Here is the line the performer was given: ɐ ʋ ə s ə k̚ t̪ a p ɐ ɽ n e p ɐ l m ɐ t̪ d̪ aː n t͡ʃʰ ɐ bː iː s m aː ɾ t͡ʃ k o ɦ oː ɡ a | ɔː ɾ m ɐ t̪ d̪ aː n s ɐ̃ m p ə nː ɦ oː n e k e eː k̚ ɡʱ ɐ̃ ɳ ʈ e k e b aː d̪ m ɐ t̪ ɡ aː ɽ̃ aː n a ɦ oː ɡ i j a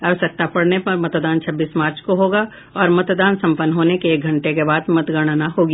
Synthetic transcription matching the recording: ɐ ʋ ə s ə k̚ t̪ a p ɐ ɽ n e p ɐ ɾ m ɐ t̪ d̪ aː n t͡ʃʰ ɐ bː iː s m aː ɾ t͡ʃ k o ɦ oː ɡ a | ɔː ɾ m ɐ t̪ d̪ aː n s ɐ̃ m p ə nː ɦ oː n e k e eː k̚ ɡʱ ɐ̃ ɳ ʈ e k e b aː d̪ m ɐ t̪ ɡ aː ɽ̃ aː n a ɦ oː ɡ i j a